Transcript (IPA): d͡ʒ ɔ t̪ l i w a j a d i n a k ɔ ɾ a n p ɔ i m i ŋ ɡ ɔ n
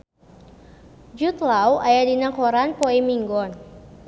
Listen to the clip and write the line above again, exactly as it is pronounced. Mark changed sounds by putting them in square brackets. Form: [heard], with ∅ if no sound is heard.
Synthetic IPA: d͡ʒ [u] t̪ l [a] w a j a d i n a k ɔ ɾ a n p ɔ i m i ŋ ɡ ɔ n